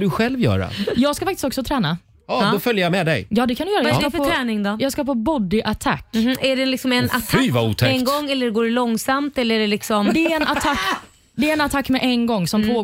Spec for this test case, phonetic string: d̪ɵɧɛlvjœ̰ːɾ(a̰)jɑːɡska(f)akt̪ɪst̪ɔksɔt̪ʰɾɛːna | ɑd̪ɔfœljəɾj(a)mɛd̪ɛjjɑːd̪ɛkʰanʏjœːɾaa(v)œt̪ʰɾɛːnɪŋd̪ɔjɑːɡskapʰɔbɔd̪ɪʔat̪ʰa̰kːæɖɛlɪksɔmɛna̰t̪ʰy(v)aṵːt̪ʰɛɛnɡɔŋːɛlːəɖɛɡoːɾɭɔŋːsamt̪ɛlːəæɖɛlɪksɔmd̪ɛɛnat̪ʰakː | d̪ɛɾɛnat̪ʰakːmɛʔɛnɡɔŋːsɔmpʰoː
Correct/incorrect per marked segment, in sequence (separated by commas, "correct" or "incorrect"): correct, correct, correct, incorrect, correct